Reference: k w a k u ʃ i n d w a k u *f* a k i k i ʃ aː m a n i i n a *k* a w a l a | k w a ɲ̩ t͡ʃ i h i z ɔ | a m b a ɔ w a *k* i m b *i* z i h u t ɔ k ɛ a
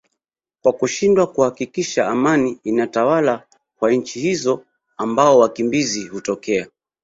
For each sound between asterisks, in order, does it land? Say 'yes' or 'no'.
no, no, yes, yes

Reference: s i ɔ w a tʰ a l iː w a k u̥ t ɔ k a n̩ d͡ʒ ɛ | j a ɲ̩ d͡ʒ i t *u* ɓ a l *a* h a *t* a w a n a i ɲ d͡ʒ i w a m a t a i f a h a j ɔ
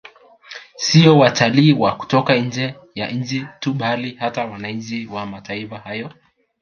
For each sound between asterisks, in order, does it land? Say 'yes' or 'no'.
yes, no, yes

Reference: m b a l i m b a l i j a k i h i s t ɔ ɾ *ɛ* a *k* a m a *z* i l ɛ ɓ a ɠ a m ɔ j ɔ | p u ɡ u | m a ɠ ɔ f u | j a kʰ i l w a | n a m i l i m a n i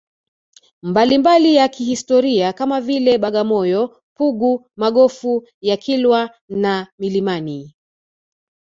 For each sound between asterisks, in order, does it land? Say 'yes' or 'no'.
no, yes, no

